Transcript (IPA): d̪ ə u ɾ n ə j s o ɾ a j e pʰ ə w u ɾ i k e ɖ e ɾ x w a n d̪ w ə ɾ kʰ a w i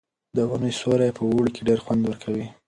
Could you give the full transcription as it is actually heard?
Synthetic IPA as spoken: d̪ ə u n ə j s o ɾ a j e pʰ ə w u ɽ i k e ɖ e ɾ x w a n d̪ w ə ɾ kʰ a w i